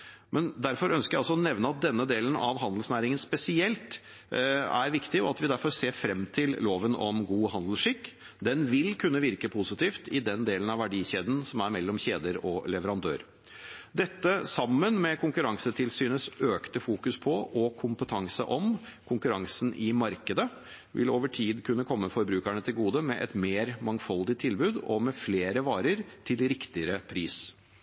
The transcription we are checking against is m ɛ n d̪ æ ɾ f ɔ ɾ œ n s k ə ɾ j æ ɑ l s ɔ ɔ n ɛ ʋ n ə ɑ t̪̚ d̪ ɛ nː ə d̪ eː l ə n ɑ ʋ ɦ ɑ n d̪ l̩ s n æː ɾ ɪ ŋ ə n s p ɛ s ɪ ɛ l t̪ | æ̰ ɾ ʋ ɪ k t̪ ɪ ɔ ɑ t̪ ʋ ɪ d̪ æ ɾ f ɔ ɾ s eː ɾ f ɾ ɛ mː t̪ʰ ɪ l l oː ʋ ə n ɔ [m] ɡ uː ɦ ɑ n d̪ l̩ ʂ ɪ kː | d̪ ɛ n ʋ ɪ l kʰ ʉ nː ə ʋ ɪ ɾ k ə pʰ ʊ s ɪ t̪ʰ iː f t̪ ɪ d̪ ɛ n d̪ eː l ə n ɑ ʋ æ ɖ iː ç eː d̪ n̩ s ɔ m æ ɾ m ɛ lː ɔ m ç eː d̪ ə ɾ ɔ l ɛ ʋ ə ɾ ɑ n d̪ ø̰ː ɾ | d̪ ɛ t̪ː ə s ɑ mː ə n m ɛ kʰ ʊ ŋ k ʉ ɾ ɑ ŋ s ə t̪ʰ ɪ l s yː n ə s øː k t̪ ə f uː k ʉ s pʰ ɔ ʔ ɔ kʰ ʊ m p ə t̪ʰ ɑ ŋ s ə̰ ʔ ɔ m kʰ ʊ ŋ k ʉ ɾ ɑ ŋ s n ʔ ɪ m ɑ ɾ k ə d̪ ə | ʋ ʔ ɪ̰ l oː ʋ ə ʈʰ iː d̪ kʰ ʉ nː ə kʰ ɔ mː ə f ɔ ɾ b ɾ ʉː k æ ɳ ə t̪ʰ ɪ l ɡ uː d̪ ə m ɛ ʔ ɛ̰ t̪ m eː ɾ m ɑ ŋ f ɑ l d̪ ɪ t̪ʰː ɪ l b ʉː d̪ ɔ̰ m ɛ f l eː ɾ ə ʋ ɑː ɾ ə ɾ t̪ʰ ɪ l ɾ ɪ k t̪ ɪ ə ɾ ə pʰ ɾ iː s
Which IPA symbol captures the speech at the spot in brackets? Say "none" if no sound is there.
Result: m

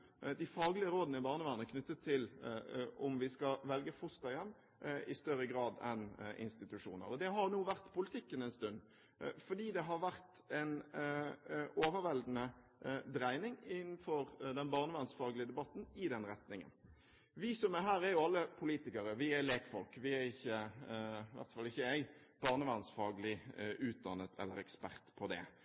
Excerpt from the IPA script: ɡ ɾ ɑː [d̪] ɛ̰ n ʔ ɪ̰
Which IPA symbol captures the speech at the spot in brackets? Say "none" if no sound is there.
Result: d̪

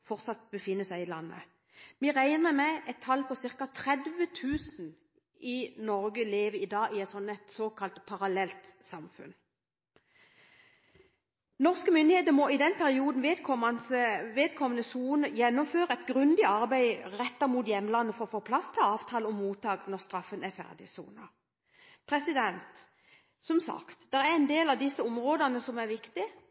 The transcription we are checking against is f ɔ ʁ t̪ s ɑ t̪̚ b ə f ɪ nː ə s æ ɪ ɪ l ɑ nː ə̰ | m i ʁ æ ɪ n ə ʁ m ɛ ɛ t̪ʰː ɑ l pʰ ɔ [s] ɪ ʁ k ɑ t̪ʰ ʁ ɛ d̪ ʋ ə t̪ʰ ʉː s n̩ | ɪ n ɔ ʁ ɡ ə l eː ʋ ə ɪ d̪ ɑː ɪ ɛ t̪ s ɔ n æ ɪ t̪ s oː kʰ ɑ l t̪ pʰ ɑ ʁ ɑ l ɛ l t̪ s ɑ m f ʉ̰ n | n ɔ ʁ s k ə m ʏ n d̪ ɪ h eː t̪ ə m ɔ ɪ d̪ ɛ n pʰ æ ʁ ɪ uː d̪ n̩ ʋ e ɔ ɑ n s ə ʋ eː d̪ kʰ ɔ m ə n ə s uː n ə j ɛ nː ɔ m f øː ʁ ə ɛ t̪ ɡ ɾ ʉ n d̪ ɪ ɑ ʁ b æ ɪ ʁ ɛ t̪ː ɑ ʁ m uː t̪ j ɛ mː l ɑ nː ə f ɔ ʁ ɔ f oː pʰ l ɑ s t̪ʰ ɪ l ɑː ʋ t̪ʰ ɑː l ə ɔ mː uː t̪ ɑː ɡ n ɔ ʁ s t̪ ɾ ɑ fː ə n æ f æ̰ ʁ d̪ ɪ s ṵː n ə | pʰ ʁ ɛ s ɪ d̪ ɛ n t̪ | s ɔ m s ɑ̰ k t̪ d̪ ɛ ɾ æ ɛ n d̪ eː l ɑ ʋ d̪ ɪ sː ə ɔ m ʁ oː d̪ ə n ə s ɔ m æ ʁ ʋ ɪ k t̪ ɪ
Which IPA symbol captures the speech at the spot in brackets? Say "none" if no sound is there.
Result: s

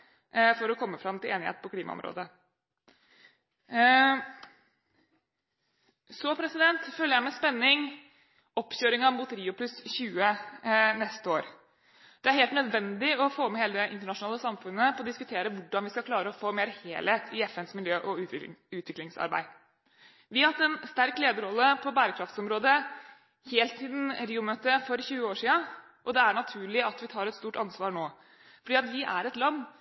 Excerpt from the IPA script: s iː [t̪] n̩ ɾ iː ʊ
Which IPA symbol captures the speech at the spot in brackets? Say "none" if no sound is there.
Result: d̪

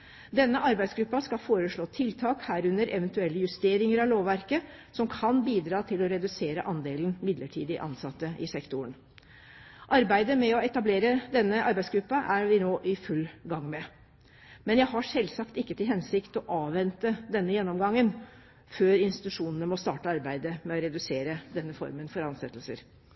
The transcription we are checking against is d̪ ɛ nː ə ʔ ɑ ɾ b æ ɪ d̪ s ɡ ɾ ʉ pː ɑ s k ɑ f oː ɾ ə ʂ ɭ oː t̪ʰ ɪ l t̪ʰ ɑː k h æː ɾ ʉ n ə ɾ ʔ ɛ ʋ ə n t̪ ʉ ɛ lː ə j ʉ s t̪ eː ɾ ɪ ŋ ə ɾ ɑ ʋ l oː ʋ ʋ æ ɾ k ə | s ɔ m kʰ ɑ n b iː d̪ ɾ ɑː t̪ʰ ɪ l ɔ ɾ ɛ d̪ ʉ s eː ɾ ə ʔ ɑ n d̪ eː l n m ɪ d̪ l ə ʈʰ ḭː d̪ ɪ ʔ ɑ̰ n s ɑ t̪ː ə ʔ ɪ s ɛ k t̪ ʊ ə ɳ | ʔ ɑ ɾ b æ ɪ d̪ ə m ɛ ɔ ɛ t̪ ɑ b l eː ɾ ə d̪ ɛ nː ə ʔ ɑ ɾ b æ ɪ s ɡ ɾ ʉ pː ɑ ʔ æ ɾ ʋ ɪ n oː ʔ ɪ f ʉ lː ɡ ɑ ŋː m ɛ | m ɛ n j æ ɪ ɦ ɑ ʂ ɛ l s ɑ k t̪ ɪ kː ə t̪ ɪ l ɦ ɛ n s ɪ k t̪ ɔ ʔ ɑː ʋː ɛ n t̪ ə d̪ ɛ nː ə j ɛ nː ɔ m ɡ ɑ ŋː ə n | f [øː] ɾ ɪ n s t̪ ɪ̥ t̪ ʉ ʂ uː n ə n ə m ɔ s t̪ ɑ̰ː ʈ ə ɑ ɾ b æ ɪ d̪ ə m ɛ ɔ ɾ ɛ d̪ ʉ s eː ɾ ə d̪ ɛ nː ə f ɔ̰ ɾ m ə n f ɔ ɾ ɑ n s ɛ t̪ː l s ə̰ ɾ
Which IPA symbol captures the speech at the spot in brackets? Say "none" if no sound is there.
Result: øː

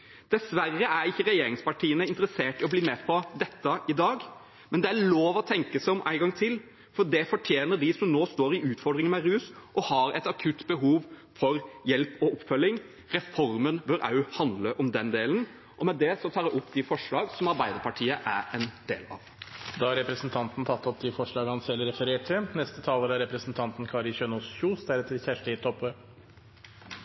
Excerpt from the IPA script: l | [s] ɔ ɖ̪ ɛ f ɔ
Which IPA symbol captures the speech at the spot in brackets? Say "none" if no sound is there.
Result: f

